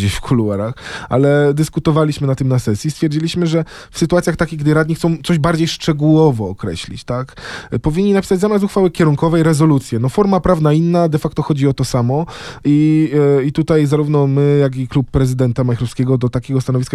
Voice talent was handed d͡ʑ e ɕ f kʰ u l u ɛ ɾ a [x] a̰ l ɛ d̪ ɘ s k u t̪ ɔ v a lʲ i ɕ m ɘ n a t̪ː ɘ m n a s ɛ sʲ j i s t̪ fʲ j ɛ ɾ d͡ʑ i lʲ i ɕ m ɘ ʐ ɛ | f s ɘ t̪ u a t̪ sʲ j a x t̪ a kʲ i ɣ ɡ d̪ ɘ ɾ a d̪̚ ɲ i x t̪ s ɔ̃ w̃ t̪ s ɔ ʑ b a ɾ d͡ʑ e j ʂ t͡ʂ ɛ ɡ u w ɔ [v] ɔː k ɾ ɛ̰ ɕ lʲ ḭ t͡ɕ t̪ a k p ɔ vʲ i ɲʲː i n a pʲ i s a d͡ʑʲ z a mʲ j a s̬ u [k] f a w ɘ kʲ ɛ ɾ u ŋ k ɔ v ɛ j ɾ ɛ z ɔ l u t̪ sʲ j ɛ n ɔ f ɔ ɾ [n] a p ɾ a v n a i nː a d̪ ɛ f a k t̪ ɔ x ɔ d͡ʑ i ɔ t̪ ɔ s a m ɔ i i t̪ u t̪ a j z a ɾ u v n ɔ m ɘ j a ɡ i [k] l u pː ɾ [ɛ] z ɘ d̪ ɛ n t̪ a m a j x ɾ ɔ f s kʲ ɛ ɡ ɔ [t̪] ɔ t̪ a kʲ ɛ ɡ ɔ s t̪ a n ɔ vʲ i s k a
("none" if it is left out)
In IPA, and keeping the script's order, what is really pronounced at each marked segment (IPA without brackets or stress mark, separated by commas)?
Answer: x, v, x, m, k, ɛ, d̪